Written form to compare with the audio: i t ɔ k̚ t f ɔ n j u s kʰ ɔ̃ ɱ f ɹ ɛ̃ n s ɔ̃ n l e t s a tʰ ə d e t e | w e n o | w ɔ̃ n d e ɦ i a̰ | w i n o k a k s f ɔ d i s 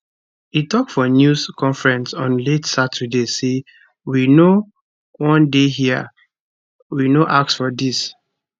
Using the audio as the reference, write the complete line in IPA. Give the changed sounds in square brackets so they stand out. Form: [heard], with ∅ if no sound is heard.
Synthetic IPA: i t ɔ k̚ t f ɔ n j u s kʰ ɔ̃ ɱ f ɹ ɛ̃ n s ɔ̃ n l e t s a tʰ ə d e [s] e | w [i] n o | w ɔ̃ n d e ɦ i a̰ | w i n o [ʔ] a k s f ɔ d i s